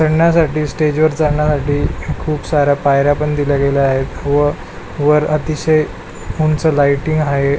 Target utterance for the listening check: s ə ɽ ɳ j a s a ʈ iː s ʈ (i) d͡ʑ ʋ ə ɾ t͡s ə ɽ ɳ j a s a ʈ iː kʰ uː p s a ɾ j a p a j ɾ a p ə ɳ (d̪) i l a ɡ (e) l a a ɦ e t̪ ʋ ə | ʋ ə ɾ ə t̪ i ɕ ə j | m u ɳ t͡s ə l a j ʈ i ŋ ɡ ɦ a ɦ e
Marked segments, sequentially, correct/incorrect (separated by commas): incorrect, correct, correct